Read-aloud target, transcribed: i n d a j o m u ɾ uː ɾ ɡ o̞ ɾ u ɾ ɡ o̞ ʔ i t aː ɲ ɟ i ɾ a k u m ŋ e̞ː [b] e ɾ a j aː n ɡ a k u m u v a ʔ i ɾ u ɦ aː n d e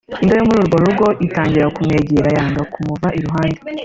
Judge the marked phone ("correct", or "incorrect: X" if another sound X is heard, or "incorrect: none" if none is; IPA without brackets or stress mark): incorrect: ɟ